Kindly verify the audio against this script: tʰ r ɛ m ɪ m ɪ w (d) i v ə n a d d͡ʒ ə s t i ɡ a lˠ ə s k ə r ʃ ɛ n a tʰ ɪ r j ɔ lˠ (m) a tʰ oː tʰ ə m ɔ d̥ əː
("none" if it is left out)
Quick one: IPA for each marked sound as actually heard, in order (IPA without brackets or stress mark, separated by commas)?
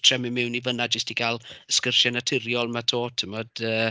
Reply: n, m